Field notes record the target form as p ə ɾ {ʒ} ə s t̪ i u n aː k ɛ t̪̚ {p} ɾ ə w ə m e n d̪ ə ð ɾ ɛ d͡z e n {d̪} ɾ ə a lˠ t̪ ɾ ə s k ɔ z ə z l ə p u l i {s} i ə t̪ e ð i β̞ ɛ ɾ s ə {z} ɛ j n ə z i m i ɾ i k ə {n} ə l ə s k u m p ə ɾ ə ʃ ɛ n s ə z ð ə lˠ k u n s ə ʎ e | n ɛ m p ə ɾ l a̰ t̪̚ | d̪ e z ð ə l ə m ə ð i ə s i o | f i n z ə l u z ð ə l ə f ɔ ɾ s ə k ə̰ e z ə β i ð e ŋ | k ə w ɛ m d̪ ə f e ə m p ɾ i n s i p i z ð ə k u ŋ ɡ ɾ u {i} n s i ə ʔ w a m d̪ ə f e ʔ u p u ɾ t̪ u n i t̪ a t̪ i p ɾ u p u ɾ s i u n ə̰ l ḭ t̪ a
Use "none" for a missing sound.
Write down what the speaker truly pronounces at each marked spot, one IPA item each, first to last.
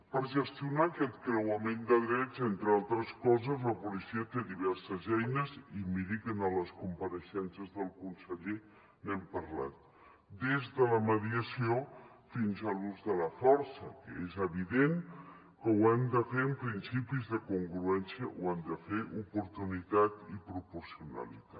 ʒ, k, t̪, s, z, n, ɛ

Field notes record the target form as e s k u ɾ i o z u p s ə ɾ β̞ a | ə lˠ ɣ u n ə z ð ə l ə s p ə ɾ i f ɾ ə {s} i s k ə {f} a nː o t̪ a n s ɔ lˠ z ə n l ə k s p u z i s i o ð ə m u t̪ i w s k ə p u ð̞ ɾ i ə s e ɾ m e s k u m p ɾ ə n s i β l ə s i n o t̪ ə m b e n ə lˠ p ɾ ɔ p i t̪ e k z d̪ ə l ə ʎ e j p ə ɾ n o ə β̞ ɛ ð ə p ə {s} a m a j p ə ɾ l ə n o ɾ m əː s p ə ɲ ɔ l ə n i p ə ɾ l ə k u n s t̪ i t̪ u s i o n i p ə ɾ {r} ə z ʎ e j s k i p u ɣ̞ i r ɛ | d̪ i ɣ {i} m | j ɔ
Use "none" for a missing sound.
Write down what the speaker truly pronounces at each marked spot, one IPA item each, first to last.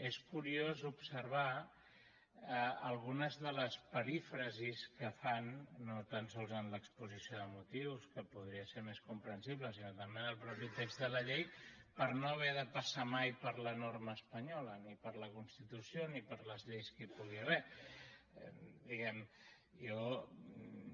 z, f, s, l, ɛ

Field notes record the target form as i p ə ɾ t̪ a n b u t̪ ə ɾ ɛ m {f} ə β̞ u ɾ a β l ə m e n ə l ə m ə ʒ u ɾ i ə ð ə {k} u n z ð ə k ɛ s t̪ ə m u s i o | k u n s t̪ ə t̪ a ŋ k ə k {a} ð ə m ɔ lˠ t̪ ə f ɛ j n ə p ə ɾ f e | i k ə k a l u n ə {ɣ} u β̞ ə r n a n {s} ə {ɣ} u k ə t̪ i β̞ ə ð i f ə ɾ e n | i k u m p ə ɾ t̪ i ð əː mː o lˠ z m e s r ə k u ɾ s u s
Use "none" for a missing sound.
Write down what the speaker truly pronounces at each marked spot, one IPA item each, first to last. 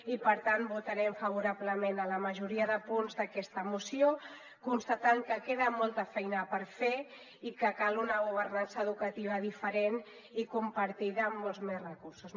f, p, e, ɣ, s, ð

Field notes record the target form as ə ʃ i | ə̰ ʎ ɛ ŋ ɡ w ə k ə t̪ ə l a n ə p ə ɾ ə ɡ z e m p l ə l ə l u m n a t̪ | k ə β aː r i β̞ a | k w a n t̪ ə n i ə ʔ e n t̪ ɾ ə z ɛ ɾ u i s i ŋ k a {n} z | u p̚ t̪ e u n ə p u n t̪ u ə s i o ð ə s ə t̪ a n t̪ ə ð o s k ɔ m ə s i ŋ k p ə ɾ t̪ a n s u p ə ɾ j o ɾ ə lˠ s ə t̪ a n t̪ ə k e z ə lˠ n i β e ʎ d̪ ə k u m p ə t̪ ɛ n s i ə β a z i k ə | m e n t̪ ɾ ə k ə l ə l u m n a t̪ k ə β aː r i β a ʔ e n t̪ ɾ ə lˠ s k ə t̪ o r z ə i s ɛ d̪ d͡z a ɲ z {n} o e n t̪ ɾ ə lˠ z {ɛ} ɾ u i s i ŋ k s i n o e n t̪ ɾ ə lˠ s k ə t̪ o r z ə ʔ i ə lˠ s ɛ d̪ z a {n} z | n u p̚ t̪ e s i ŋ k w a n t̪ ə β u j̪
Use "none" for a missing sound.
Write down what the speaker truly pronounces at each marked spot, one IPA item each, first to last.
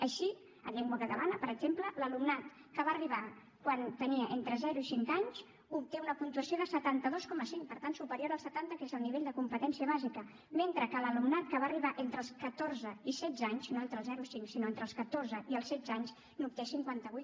ɲ, n, ɛ, ɲ

